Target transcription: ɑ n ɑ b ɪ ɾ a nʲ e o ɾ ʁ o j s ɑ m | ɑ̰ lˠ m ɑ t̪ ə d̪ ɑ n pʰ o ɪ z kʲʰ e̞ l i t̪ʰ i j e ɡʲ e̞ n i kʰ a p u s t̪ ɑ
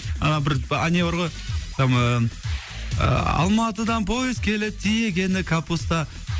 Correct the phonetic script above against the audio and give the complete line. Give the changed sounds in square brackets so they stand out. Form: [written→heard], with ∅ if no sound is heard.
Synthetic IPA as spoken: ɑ n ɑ b ɪ ɾ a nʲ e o ɾ ʁ o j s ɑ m | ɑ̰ lˠ m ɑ t̪ ə d̪ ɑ n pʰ o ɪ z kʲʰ e̞ l [i→ɪ] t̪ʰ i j e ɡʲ e̞ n [i→ɪ] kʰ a p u s t̪ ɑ